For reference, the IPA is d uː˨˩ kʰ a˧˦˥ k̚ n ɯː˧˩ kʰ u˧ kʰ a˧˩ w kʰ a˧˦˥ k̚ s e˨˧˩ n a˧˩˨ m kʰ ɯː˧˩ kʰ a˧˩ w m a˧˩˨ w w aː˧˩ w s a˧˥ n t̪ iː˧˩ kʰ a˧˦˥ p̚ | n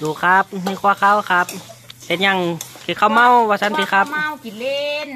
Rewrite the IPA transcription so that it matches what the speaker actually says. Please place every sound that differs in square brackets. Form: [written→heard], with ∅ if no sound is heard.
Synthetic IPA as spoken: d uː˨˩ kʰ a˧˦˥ [k̚→p̚] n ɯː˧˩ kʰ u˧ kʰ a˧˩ w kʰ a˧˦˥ [k̚→p̚] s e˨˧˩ [n→ɲ] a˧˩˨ [m→ŋ] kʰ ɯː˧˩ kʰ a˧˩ w m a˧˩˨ w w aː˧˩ [w→∅] s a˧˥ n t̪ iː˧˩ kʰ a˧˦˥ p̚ | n